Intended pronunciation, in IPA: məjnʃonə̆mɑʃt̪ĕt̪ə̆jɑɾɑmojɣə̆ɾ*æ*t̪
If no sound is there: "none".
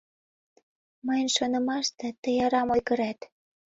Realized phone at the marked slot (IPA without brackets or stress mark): æ